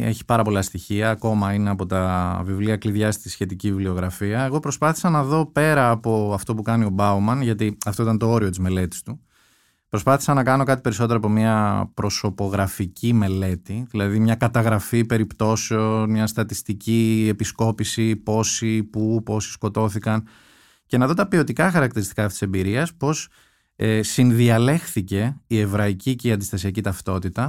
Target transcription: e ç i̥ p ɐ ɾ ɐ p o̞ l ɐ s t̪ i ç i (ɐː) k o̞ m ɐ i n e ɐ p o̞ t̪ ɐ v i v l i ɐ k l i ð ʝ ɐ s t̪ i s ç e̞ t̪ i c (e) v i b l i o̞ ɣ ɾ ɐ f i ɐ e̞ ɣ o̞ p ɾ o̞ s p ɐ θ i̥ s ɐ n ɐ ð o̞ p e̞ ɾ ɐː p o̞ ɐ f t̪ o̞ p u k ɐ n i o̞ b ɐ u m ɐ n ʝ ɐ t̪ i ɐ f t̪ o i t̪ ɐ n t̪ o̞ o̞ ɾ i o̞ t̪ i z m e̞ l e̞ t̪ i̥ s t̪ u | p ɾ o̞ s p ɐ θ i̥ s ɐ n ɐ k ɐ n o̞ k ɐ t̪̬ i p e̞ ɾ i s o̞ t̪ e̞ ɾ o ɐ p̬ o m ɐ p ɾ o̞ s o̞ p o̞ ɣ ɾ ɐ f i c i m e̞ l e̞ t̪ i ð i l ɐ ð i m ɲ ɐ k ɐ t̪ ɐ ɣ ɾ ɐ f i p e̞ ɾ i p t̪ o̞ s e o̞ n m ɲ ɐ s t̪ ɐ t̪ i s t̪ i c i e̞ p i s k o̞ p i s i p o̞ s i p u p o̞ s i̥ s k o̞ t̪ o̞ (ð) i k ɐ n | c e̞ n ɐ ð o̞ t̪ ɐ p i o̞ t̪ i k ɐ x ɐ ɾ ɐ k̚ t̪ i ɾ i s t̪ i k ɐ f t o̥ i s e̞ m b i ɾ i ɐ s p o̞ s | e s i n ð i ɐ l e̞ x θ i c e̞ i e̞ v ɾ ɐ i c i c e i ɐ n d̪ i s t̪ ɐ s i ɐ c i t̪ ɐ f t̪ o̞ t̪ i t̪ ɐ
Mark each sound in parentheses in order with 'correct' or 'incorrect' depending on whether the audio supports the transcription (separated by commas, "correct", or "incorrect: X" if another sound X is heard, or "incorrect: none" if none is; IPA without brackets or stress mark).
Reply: correct, incorrect: i, incorrect: θ